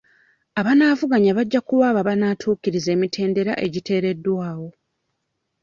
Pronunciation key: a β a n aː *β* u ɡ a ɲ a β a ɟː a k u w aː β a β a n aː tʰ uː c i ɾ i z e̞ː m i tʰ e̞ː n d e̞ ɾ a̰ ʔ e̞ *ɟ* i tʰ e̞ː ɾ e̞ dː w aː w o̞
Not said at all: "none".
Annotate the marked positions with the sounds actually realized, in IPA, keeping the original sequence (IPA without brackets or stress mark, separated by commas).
v, ɟ